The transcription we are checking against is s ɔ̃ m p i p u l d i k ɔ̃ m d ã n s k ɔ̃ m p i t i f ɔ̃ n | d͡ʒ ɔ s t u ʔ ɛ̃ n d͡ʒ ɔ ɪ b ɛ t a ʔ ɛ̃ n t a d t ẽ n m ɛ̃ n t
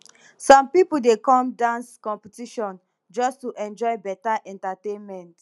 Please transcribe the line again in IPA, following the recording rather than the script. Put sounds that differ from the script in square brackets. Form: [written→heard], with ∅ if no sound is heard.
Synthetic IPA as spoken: s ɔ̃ m p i p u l d [i→e] k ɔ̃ m d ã n s k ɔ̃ m p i t i [f→ʃ] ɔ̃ n | d͡ʒ ɔ s t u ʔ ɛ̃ n d͡ʒ ɔ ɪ b ɛ t a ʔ ɛ̃ n t a [d→∅] t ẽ n m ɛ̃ n t